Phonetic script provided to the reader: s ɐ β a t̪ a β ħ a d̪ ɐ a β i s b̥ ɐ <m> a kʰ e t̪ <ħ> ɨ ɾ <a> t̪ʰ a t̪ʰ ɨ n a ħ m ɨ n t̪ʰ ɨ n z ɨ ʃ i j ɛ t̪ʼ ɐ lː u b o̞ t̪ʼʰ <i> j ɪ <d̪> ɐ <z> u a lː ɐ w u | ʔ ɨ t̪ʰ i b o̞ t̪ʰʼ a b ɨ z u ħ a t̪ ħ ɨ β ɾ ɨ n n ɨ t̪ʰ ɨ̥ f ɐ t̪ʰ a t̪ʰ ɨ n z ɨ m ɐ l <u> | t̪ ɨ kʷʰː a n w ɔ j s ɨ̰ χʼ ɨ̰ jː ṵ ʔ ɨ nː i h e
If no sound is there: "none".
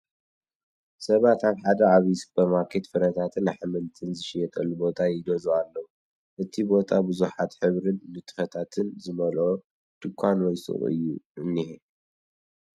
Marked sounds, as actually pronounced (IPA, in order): m, f, ɐ, a, d̪, z, o

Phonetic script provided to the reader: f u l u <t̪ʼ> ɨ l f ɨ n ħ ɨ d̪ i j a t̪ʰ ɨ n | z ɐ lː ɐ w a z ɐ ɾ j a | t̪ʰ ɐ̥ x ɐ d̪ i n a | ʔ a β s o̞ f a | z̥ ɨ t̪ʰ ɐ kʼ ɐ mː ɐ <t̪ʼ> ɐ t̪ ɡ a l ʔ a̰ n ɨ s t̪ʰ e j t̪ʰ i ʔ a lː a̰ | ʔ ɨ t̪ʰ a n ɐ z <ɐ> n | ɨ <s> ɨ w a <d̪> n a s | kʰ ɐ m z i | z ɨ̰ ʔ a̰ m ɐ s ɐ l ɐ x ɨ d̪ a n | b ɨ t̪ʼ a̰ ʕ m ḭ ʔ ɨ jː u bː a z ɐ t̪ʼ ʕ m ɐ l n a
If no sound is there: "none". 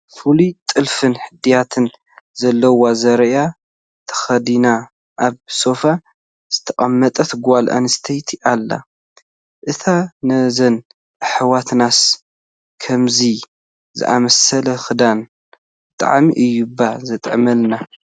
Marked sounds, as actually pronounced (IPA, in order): t̪ʼ, t̪ʼ, ɐ, ħ, t̪

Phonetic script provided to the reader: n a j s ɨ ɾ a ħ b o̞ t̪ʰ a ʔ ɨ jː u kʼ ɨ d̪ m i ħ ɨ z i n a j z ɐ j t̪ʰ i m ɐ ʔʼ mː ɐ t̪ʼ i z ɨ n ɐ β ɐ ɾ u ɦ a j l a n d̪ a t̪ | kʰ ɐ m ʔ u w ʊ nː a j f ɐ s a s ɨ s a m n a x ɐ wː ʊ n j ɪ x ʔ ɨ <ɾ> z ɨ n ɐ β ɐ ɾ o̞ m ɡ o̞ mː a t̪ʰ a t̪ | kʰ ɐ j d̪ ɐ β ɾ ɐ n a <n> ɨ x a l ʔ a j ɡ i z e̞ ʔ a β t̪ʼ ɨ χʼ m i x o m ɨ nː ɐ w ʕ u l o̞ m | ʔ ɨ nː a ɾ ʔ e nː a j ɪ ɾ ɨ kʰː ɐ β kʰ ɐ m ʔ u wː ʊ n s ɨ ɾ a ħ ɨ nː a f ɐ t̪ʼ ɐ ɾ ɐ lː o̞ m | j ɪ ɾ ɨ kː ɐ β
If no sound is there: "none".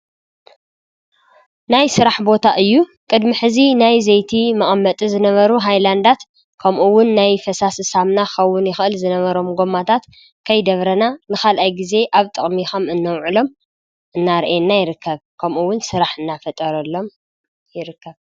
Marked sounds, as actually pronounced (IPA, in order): l, n

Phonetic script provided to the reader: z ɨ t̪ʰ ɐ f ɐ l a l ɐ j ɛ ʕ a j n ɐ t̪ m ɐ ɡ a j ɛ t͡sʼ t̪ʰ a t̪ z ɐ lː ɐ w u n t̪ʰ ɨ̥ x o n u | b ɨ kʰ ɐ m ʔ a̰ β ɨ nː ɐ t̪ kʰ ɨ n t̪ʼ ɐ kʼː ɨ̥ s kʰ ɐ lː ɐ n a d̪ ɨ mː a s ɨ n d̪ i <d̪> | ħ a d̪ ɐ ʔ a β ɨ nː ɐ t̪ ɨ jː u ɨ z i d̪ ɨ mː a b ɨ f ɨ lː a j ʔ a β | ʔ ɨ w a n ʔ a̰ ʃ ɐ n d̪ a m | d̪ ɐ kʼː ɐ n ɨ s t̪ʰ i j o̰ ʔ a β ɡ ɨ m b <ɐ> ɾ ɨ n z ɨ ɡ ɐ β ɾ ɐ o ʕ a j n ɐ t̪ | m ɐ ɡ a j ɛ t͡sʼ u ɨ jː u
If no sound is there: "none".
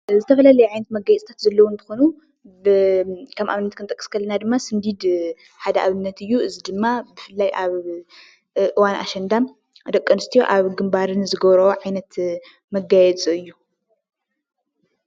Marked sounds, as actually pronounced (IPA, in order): d̪, a

